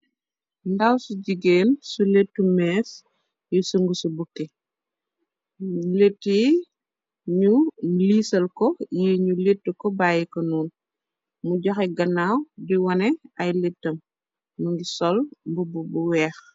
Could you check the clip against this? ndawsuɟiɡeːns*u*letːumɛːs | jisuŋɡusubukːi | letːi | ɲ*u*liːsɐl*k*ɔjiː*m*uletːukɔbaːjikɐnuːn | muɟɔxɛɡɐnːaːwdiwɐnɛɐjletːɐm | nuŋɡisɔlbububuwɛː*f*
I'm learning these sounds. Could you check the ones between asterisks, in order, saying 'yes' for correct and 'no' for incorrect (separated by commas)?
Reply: yes, yes, yes, no, no